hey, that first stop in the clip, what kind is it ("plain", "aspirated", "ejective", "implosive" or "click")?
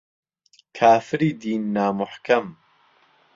aspirated